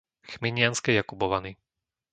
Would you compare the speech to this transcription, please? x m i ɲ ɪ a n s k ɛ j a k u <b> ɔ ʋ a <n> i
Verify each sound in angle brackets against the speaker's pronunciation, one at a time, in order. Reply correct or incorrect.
correct, correct

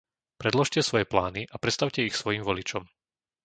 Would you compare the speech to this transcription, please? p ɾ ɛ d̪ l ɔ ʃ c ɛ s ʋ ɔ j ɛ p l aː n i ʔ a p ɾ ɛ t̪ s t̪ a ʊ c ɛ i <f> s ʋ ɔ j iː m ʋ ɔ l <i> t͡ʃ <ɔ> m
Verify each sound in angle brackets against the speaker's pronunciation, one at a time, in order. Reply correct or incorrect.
incorrect: x, correct, correct

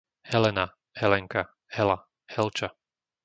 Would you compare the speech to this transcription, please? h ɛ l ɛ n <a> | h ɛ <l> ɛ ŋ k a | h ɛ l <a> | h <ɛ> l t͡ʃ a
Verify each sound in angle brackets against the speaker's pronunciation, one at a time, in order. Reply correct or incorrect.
correct, correct, correct, correct

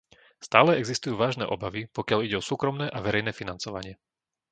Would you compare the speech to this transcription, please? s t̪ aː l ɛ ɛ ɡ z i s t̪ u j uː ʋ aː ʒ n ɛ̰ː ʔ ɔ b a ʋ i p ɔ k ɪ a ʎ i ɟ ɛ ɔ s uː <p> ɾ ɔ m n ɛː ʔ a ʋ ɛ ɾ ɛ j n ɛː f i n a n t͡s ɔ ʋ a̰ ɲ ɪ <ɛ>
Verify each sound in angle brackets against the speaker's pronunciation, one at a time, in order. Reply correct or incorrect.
incorrect: k, correct

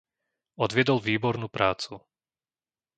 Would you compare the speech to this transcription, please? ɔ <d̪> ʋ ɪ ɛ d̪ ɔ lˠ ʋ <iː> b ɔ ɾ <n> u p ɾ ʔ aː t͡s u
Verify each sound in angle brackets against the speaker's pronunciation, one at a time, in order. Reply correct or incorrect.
correct, correct, correct

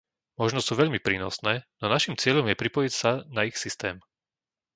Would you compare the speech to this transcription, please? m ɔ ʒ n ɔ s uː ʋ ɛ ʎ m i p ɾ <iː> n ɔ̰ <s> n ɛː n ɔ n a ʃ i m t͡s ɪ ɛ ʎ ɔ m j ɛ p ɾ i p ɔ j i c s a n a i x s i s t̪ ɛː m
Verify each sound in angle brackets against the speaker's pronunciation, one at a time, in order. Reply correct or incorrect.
correct, correct

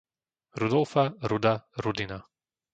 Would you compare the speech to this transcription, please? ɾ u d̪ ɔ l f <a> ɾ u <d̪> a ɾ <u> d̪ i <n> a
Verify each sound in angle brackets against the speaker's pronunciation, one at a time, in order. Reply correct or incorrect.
correct, correct, correct, correct

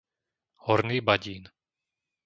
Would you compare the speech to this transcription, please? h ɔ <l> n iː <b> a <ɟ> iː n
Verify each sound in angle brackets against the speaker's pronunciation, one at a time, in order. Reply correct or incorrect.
incorrect: ɾ, correct, correct

